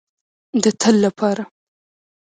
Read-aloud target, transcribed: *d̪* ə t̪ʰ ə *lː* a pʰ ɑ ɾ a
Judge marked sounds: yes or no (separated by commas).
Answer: yes, yes